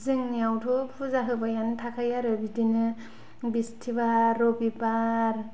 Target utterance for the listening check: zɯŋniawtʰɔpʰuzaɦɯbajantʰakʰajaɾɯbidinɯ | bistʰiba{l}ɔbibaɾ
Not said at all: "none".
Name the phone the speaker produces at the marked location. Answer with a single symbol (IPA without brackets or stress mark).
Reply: ɾ